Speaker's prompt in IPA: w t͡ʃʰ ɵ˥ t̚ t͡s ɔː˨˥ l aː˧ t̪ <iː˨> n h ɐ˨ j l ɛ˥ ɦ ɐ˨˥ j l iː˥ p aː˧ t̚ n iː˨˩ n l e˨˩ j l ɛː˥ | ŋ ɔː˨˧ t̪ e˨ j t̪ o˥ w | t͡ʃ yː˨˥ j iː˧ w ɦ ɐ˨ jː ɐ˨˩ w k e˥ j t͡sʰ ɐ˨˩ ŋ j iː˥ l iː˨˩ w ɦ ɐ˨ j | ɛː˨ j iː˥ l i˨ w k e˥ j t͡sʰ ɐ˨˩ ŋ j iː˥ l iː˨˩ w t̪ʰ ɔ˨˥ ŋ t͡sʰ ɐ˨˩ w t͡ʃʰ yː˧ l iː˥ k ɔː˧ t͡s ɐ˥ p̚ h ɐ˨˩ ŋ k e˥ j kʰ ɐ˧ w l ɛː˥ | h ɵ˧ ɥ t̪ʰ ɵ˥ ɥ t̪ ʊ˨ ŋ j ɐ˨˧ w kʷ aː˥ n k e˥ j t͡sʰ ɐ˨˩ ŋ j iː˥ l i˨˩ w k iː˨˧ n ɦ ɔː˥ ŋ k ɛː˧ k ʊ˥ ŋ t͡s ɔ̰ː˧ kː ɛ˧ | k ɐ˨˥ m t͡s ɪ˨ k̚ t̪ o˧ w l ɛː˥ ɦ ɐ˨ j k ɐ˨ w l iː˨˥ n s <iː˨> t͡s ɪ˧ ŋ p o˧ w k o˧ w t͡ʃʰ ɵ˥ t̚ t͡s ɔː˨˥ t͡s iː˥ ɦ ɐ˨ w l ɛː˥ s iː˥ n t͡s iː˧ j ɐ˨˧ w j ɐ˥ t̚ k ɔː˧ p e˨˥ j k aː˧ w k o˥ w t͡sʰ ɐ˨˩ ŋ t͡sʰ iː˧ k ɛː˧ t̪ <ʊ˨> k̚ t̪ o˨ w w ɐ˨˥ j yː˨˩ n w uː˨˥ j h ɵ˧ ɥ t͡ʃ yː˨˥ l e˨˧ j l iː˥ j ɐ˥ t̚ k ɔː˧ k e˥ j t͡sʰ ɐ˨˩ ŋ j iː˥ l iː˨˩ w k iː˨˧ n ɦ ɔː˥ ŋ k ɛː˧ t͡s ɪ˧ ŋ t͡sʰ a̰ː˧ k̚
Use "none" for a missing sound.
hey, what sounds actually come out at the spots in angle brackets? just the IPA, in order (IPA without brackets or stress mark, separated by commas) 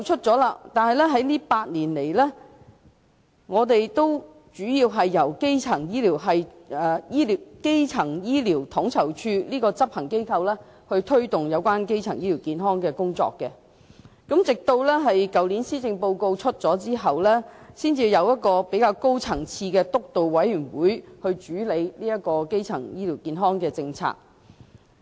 aː˨, iː˥, ʊ˥